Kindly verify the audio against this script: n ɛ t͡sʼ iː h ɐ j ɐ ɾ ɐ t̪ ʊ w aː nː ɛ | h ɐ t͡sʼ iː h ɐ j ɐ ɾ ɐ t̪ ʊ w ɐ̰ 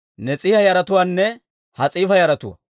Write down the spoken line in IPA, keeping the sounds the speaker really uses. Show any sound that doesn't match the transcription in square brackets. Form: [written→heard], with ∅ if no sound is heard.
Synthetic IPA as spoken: n ɛ t͡sʼ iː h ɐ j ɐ ɾ ɐ t̪ ʊ w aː nː ɛ | h ɐ t͡sʼ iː [h→f] ɐ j ɐ ɾ ɐ t̪ ʊ w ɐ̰

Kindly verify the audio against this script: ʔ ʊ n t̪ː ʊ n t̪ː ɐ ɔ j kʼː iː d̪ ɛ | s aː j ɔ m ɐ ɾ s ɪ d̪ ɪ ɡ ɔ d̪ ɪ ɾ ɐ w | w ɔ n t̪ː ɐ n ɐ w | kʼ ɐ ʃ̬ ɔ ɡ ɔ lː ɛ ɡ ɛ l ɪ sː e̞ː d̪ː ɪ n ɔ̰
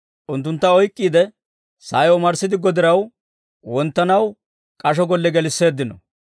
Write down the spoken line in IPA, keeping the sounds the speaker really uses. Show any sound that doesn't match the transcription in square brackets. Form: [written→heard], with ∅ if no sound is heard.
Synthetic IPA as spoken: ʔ ʊ n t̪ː ʊ n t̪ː ɐ ɔ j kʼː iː d̪ ɛ | s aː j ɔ m ɐ ɾ s ɪ d̪ ɪ ɡ ɔ d̪ ɪ ɾ ɐ w | w ɔ n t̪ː ɐ n ɐ w | kʼ ɐ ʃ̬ ɔ ɡ ɔ lː ɛ ɡ ɛ l ɪ sː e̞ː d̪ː ɪ n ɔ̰

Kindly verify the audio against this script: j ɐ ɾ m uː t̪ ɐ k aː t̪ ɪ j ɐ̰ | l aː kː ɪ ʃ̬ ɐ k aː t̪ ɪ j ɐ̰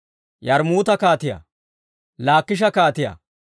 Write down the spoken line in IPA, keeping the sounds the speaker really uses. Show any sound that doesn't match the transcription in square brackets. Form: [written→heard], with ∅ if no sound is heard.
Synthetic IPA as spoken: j ɐ ɾ m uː t̪ ɐ k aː t̪ ɪ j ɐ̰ | l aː kː ɪ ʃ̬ ɐ k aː t̪ ɪ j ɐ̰

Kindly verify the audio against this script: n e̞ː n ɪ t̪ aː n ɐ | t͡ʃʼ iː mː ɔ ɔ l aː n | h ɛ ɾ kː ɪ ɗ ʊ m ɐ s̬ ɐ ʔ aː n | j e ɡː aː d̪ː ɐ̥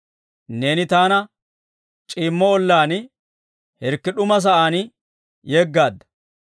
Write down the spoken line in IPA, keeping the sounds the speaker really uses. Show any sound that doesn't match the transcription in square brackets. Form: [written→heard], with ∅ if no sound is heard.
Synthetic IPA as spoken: n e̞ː n ɪ t̪ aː n ɐ | t͡ʃʼ iː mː ɔ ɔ [l→lː] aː n | h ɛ ɾ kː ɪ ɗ ʊ m ɐ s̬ ɐ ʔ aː n | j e ɡː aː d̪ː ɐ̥

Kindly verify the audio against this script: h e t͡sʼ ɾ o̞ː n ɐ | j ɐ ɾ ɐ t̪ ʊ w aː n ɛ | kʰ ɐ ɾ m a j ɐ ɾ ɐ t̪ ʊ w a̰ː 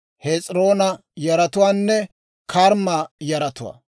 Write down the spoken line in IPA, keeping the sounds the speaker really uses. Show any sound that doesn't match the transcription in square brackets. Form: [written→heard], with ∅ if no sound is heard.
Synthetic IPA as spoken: h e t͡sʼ ɾ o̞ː n ɐ | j ɐ ɾ ɐ t̪ ʊ w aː [n→nː] ɛ | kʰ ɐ ɾ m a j ɐ ɾ ɐ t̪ ʊ w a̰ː

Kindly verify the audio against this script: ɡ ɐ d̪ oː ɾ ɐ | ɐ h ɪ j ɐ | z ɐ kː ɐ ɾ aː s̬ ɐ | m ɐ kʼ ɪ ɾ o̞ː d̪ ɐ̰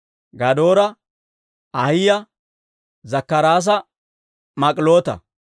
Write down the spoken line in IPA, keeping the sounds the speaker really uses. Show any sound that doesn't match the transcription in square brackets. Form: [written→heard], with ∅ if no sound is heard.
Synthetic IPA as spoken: ɡ ɐ d̪ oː ɾ ɐ | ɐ h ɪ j ɐ | z ɐ kː ɐ ɾ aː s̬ ɐ | m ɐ kʼ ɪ [ɾ→l] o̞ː [d̪→t̪] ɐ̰

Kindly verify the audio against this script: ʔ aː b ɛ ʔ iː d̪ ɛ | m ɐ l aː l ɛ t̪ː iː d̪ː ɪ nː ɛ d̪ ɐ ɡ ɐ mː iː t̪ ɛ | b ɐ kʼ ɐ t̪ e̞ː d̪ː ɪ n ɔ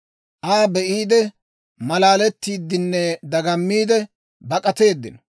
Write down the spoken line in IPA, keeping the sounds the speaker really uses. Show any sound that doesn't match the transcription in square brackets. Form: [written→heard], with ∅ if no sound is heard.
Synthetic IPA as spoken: ʔ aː b ɛ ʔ iː d̪ ɛ | m ɐ l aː l ɛ t̪ː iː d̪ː ɪ nː ɛ d̪ ɐ ɡ ɐ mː iː [t̪→d̪] ɛ | b ɐ kʼ ɐ t̪ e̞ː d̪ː ɪ n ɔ

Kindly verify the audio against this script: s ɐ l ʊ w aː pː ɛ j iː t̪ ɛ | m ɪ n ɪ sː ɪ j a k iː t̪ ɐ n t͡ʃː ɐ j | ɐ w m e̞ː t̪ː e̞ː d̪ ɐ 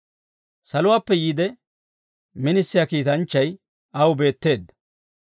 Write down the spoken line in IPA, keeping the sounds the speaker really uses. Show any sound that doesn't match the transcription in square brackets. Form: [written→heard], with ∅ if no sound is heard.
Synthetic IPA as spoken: s ɐ l ʊ w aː pː ɛ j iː [t̪→d̪] ɛ | m ɪ n ɪ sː ɪ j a k iː t̪ ɐ n t͡ʃː ɐ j | ɐ w [m→b] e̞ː t̪ː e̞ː d̪ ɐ

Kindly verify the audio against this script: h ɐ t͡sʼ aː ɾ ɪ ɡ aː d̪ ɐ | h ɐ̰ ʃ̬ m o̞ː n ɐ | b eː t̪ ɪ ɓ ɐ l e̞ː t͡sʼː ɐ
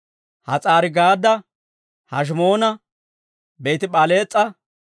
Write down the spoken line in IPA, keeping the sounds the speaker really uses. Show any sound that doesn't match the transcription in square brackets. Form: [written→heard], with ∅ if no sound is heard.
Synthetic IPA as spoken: h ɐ t͡sʼ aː ɾ ɪ ɡ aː d̪ ɐ | h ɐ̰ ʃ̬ m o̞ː n ɐ | b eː t̪ ɪ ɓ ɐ l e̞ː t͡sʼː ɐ

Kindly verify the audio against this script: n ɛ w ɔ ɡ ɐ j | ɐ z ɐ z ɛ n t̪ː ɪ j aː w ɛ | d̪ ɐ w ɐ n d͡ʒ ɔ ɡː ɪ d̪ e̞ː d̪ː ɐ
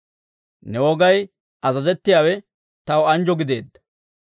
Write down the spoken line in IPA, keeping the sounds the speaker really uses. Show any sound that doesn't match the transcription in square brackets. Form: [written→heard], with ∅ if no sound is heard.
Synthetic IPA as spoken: n ɛ w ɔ ɡ ɐ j | ɐ z ɐ z ɛ [n→∅] t̪ː ɪ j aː w ɛ | [d̪→t̪] ɐ w ɐ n d͡ʒ ɔ [ɡː→ɡ] ɪ d̪ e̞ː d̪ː ɐ

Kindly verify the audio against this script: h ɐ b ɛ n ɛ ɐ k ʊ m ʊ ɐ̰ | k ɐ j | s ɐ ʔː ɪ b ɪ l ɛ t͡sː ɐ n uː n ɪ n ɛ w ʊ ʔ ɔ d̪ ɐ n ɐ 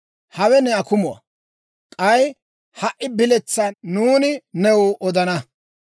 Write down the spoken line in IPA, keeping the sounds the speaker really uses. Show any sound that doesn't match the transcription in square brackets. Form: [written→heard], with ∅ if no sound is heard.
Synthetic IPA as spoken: h ɐ [b→w] ɛ n ɛ ɐ k ʊ m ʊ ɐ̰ | [k→kʼ] ɐ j | [s→h] ɐ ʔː ɪ b ɪ l ɛ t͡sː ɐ n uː n ɪ n ɛ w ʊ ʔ ɔ d̪ ɐ n ɐ

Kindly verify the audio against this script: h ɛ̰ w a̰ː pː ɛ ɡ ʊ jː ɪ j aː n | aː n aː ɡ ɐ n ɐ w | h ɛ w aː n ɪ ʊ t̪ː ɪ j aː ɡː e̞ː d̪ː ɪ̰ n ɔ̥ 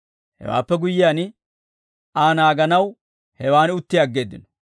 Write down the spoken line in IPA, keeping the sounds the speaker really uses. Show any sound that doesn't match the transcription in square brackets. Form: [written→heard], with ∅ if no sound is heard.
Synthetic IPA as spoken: h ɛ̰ w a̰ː pː ɛ ɡ ʊ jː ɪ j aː n | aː n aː ɡ ɐ n ɐ w | h ɛ w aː n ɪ ʊ t̪ː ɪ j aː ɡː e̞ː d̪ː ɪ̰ n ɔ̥

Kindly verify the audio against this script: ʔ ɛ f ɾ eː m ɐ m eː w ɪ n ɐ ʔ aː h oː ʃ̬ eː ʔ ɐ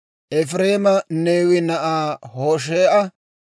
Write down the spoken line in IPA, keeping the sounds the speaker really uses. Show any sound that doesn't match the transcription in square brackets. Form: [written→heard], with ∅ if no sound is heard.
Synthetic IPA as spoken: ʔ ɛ f ɾ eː m ɐ [m→n] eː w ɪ n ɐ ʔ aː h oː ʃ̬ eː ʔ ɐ

